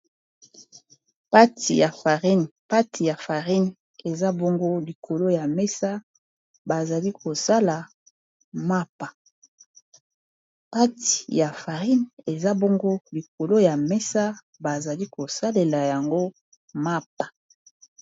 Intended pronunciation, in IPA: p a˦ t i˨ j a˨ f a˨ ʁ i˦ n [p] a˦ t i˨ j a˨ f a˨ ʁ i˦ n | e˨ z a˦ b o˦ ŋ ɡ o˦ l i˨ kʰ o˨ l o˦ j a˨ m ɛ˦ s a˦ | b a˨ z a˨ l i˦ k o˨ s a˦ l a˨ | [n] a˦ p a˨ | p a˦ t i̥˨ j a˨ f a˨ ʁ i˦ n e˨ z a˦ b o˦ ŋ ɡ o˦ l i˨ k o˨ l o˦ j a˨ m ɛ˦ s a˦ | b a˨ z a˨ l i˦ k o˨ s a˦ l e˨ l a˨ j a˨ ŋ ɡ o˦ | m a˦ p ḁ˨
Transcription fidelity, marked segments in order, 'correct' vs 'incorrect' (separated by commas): correct, incorrect